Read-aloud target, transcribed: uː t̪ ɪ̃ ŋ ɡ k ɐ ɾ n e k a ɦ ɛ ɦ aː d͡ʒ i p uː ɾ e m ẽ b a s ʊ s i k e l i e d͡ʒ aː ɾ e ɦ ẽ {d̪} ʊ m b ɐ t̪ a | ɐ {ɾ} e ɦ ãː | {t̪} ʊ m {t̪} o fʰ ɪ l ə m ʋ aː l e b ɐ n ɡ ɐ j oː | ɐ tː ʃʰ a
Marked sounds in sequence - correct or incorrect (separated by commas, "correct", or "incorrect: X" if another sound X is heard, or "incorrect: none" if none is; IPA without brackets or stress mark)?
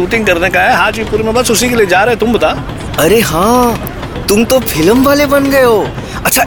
incorrect: t̪, correct, correct, correct